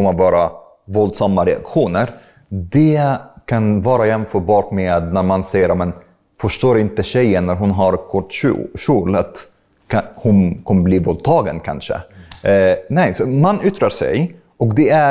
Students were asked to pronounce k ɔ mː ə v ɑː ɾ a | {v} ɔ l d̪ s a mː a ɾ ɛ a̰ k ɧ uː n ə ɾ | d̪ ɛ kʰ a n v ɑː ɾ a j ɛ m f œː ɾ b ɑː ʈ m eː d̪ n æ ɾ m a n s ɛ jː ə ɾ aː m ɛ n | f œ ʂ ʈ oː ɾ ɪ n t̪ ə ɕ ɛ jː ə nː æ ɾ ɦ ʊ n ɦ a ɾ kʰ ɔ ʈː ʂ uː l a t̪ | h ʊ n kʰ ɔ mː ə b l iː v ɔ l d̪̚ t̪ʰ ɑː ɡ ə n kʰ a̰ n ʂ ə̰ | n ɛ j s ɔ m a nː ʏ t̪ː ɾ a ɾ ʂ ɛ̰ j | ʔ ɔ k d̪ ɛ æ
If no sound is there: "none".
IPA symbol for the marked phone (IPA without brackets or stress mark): v